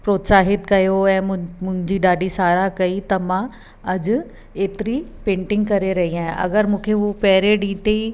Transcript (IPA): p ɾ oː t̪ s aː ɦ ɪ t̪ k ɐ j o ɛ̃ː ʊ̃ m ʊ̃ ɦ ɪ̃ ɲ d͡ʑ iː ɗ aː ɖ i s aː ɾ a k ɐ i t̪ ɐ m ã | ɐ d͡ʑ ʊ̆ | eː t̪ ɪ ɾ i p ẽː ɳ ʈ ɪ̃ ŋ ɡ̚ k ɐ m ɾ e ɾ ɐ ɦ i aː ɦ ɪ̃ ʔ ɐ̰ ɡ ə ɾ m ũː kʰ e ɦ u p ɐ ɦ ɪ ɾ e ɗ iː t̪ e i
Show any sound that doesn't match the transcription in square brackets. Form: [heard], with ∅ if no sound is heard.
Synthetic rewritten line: p ɾ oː t̪ s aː ɦ ɪ t̪ k ɐ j o ɛ̃ː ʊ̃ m ʊ̃ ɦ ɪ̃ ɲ d͡ʑ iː ɗ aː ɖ i s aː ɾ a k ɐ i t̪ ɐ m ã | ɐ d͡ʑ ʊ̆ | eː t̪ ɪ ɾ i p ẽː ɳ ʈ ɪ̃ ŋ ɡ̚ k ɐ [∅] ɾ e ɾ ɐ ɦ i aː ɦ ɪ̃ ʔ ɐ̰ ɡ ə ɾ m ũː kʰ e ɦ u p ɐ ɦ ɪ ɾ e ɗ iː t̪ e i